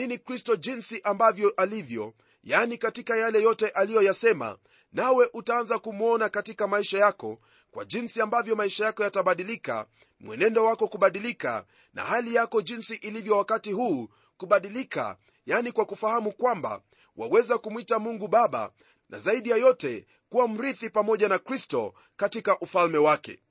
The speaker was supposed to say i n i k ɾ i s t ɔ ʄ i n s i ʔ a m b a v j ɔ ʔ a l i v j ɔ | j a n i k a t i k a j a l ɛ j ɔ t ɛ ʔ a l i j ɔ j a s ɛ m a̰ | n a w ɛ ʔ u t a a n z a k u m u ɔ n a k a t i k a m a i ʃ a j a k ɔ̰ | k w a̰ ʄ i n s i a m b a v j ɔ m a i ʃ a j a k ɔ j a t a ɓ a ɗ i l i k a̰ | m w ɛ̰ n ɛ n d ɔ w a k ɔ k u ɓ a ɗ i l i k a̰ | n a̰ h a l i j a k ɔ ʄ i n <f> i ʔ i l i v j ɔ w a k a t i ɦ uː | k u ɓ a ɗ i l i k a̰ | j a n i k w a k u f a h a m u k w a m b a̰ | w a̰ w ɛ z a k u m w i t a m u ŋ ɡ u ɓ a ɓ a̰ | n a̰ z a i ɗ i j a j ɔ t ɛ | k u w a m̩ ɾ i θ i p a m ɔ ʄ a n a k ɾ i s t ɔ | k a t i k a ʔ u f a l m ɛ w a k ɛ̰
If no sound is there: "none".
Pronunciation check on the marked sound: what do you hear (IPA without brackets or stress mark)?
s